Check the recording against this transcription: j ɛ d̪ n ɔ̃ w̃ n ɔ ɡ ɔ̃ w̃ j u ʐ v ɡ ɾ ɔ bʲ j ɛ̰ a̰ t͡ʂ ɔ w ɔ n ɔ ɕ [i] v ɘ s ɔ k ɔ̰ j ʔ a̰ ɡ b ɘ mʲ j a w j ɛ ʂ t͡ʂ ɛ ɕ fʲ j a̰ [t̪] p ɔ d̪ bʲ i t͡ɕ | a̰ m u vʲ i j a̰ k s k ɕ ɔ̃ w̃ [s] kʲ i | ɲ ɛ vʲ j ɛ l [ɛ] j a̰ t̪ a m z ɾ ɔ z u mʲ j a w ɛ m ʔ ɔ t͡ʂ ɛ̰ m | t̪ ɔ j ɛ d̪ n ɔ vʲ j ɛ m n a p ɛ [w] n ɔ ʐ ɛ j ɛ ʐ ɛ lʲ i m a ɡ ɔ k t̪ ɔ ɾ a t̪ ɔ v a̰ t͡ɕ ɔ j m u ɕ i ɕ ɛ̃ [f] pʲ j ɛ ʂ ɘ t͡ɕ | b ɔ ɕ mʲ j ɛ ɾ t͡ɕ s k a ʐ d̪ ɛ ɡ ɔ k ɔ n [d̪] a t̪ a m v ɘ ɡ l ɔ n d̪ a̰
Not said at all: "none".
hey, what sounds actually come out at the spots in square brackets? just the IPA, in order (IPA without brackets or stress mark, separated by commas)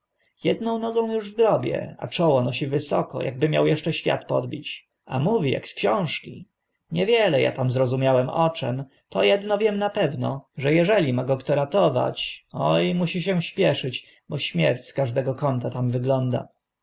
i, t̪, ʂ, ɛ, v, ɕ, t̪